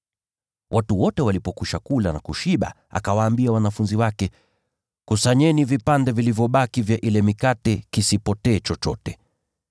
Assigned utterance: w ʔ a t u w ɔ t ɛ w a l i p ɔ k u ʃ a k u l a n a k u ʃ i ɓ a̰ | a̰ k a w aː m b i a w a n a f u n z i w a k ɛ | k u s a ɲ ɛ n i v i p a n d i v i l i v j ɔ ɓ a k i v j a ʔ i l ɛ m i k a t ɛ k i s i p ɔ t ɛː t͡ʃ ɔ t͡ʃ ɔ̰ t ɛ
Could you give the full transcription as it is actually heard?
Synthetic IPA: w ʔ a t u w ɔ t ɛ w a l i p ɔ k u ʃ a k u l a n a k u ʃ i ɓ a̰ | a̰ k a w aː m b i a w a n a f u n z i w a k ɛ | k u s a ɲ ɛ n i v i p a n d ɛ v i l i v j ɔ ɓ a k i v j a ʔ i l ɛ m i k a t ɛ k i s i p ɔ t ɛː t͡ʃ ɔ t͡ʃ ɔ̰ t ɛ